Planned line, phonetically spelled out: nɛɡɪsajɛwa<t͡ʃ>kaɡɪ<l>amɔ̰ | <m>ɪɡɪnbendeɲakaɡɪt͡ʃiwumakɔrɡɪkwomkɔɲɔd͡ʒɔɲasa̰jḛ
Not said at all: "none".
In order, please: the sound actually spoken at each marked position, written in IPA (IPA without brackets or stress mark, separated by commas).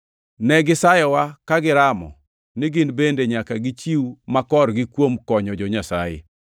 none, ɾ, n